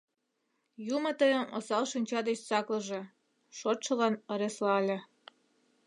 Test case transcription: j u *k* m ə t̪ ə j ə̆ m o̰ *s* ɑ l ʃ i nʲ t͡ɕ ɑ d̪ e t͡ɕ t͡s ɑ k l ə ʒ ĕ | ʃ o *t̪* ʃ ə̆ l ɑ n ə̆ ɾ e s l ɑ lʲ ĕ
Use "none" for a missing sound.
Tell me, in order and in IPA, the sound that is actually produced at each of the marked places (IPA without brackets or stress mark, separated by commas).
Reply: none, s, t̪